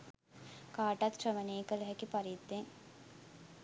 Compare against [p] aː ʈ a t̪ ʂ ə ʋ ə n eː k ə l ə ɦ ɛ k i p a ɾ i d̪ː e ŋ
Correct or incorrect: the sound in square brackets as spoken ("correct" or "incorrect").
incorrect